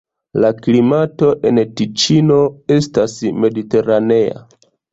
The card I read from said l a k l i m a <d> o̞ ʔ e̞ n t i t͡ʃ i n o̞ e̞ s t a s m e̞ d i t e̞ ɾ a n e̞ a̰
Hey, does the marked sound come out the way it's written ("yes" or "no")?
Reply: no